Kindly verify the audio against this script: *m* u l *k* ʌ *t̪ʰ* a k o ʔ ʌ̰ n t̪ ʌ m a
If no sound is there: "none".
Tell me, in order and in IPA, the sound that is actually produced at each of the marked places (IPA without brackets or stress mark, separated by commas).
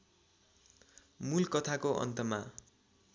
m, k, t̪ʰ